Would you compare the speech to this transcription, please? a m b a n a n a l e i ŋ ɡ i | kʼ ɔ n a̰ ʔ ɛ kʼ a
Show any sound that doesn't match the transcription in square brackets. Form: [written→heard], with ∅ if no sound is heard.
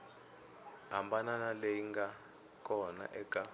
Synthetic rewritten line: a m b a n a n a l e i ŋ ɡ [i→a] | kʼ ɔ n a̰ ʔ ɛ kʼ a